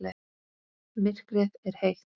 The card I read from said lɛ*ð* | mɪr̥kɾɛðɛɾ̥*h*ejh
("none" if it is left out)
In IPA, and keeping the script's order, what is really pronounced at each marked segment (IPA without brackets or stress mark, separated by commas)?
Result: none, h